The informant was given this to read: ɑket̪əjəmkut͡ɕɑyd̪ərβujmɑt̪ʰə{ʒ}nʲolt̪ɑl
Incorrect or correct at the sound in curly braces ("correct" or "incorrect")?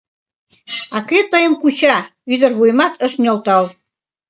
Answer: incorrect